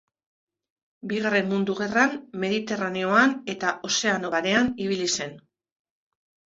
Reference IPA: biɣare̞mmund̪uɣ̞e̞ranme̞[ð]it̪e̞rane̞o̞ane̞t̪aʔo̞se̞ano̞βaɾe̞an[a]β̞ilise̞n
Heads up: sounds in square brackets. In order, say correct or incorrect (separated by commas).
correct, incorrect